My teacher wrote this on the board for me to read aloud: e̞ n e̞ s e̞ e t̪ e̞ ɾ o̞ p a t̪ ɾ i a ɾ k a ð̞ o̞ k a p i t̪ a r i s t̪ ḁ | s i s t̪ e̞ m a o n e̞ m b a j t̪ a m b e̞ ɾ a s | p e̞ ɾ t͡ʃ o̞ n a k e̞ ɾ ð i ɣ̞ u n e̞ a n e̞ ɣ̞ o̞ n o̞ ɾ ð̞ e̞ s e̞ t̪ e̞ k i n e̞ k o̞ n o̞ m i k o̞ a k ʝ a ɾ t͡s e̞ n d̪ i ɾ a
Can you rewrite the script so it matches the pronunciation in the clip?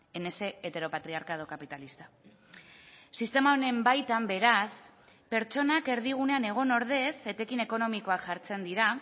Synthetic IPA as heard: e̞ n e̞ s e̞ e t̪ e̞ ɾ o̞ p a t̪ ɾ i a ɾ k a ð̞ o̞ k a p i t̪ a l i s t̪ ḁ | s i s t̪ e̞ m a o n e̞ m b a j t̪ a m b e̞ ɾ a s | p e̞ ɾ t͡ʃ o̞ n a k e̞ ɾ ð i ɣ̞ u n e̞ a n e̞ ɣ̞ o̞ n o̞ ɾ ð̞ e̞ s e̞ t̪ e̞ k i n e̞ k o̞ n o̞ m i k o̞ a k ʝ a ɾ t͡s e̞ n d̪ i ɾ a